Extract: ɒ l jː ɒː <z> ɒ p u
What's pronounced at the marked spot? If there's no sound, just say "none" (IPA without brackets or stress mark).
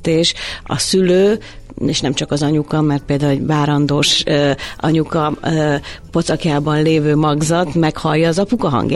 z